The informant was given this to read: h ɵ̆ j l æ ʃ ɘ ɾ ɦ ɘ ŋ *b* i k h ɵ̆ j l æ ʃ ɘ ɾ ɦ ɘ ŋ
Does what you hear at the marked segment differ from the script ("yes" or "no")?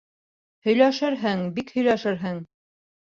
no